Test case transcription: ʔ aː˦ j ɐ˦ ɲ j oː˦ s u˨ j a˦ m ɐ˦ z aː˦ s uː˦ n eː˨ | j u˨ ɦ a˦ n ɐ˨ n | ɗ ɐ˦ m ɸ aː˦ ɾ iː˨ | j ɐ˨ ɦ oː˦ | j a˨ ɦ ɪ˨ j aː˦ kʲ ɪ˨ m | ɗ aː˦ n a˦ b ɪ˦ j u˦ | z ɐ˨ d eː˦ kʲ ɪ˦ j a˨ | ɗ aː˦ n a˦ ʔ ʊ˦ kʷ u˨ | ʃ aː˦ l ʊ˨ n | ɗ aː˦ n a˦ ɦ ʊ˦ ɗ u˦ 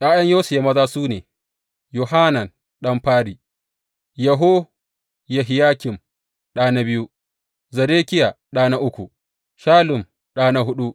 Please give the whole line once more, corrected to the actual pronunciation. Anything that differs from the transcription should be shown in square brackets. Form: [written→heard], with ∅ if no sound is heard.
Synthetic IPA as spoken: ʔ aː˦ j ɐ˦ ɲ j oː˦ s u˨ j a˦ m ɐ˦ z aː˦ s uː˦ n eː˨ | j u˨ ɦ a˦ n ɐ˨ n | ɗ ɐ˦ m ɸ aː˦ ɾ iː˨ | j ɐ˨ ɦ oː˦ | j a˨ ɦ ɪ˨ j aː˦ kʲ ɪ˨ m | ɗ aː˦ n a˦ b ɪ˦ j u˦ | z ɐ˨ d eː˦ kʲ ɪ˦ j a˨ | ɗ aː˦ n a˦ ʔ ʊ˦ kʷ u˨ | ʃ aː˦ l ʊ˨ [n→m] | ɗ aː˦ n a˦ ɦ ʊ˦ ɗ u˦